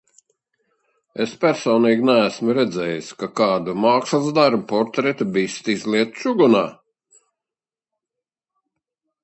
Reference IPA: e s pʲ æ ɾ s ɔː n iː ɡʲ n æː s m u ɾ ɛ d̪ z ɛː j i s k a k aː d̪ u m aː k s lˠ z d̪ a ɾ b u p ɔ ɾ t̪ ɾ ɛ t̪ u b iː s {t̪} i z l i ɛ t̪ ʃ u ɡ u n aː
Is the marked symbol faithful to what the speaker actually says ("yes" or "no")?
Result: yes